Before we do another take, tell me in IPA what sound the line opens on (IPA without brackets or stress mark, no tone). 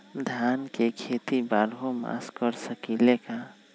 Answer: d̪ʱ